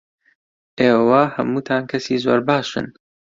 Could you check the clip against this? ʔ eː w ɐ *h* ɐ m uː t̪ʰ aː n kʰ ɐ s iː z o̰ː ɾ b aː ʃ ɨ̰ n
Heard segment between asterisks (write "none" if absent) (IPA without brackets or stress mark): h